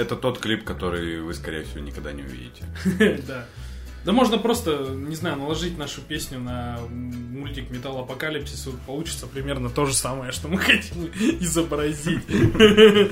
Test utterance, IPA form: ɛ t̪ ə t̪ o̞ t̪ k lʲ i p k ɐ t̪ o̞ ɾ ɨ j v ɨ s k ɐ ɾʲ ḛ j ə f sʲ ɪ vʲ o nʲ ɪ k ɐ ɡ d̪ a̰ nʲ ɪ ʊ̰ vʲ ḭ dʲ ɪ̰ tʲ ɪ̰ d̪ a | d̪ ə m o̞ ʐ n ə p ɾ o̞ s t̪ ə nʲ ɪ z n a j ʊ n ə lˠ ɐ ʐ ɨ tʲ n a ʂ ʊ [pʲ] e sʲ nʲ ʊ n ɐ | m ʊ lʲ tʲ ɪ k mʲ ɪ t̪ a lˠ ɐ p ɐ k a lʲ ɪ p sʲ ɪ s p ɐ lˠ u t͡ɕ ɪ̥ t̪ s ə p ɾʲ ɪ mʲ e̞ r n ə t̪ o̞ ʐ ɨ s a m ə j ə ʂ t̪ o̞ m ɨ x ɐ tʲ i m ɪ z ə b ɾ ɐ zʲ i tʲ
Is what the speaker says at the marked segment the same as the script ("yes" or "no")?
yes